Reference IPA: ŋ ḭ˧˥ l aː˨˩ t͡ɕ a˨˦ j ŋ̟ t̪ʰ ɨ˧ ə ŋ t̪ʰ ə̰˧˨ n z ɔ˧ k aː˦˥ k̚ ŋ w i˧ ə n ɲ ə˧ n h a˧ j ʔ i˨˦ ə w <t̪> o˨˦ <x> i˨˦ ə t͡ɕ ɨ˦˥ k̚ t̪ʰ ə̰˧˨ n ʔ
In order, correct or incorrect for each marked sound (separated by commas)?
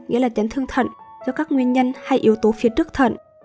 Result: correct, incorrect